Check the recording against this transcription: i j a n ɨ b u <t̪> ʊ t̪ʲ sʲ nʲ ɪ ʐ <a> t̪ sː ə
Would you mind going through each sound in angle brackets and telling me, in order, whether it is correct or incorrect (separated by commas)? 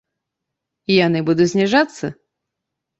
incorrect, correct